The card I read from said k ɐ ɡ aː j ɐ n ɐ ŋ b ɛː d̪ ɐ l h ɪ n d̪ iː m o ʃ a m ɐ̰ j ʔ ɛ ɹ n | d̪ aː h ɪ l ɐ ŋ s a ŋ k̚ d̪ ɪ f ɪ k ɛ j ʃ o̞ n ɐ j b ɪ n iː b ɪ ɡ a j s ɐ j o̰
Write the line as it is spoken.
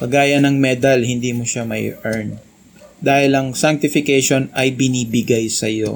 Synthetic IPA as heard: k ɐ ɡ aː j ɐ n ɐ ŋ m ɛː d̪ ɐ l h ɪ n d̪ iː m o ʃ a m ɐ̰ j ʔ ɛ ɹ n | d̪ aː h ɪ l ɐ ŋ s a ŋ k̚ t̪ ɪ f ɪ k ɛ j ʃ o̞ n ɐ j b ɪ n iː b ɪ ɡ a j s ɐ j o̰